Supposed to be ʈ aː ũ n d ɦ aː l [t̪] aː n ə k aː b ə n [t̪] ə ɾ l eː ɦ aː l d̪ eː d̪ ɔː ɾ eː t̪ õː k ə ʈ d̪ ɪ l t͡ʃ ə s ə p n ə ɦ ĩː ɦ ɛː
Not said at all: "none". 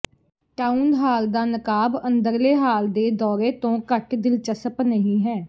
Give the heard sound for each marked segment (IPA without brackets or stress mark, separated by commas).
d̪, d̪